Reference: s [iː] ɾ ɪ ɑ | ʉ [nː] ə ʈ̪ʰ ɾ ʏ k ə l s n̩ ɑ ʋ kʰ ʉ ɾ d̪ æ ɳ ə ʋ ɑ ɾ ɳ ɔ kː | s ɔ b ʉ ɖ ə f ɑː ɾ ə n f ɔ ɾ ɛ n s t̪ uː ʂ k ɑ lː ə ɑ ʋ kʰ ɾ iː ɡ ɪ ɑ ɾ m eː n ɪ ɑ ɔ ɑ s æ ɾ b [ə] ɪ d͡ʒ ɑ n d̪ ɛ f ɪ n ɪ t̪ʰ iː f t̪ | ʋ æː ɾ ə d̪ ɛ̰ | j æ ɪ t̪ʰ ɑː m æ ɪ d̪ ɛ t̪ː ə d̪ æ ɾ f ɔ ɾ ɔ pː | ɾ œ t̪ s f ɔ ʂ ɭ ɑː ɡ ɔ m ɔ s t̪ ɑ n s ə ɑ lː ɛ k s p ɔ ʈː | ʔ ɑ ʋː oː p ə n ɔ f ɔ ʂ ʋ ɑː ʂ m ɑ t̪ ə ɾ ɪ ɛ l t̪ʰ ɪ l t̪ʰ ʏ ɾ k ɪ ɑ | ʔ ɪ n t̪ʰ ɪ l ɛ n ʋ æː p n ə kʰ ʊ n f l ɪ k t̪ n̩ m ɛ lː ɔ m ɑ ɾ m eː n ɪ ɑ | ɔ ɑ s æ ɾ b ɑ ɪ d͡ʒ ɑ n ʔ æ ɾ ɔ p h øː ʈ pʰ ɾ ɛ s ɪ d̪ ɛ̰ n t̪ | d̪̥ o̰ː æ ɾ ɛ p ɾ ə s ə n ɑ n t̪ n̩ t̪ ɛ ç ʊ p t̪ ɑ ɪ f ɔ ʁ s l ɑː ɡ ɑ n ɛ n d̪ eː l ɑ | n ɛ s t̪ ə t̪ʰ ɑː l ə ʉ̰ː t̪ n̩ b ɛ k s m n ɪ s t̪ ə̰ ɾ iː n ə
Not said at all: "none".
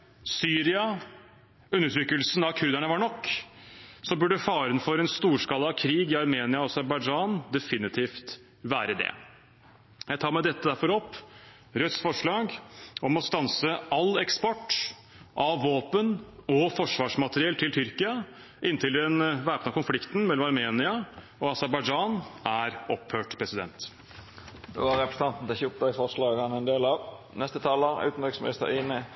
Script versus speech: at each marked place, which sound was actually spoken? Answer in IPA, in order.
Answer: yː, nː, ɑ

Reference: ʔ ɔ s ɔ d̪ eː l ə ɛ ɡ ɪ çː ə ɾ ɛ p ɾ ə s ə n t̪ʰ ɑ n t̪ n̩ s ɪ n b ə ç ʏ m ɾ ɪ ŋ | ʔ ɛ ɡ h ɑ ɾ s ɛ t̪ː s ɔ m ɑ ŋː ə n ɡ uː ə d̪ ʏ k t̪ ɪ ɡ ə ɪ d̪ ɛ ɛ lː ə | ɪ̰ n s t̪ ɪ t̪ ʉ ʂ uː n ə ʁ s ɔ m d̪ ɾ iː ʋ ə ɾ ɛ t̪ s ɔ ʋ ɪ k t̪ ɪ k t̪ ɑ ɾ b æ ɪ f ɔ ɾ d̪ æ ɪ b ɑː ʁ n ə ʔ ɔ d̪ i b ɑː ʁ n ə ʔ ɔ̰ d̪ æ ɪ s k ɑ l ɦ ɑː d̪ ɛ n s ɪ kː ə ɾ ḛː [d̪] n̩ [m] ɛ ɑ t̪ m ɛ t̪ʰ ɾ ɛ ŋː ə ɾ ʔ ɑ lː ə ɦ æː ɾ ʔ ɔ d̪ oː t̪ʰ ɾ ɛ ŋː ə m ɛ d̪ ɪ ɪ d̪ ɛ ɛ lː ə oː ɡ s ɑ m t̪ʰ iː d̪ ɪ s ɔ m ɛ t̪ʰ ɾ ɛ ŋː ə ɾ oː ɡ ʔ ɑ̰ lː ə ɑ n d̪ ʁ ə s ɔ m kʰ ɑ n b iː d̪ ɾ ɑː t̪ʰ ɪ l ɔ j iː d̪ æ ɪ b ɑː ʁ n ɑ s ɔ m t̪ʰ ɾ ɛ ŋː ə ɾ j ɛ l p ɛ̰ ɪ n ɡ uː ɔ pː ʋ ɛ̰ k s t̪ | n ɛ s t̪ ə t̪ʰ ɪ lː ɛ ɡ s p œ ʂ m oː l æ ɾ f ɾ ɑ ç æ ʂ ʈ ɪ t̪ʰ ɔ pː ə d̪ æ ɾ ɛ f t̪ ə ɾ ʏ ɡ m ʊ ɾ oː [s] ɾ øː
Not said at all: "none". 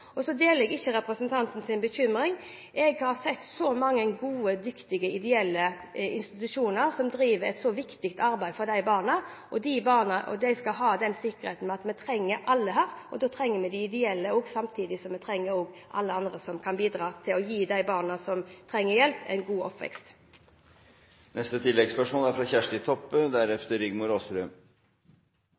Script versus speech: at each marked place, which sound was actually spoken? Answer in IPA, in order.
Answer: t̪, m, s

